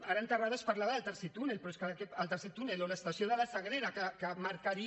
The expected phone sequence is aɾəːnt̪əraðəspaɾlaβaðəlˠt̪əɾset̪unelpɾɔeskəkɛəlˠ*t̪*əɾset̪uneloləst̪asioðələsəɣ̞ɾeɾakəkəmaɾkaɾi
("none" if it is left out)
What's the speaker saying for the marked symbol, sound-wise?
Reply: t̪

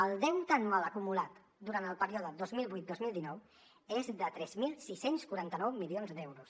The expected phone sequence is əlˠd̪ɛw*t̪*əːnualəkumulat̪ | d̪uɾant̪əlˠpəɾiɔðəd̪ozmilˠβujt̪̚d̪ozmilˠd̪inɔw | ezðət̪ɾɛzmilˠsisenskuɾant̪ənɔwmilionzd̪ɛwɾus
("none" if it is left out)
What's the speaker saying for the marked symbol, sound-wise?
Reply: t̪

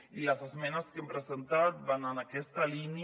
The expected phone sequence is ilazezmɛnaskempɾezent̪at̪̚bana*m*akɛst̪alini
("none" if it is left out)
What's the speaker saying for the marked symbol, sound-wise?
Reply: n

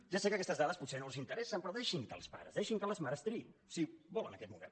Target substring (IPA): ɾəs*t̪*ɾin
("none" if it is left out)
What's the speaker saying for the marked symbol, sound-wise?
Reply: t̪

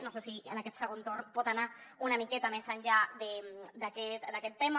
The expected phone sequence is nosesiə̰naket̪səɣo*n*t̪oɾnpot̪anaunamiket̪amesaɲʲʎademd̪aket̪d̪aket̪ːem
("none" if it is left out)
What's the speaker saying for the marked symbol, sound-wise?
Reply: n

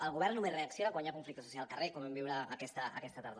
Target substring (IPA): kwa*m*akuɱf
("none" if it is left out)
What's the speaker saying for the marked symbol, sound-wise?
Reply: ɲ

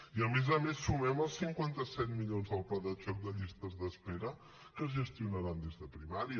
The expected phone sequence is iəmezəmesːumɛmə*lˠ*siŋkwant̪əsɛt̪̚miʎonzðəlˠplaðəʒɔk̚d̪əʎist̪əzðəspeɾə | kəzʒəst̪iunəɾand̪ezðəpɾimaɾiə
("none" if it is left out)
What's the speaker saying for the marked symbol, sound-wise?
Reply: lˠ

